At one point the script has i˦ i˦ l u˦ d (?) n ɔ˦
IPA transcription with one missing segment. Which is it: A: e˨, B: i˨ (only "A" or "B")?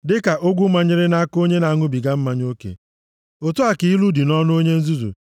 B